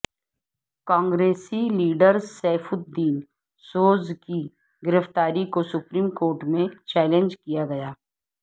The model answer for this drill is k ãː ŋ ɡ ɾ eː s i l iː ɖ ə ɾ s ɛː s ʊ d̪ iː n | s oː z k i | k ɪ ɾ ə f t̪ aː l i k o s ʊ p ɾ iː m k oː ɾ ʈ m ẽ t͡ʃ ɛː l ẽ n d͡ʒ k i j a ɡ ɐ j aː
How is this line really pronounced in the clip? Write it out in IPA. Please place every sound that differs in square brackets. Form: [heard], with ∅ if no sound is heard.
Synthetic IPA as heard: k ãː ŋ ɡ ɾ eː s i l iː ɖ ə ɾ s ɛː [f] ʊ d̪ iː n | s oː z k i | [ɡ] ɪ ɾ ə f t̪ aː [ɾ] i k o s ʊ p ɾ iː m k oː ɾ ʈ m ẽ t͡ʃ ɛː l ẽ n d͡ʒ k i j a ɡ ɐ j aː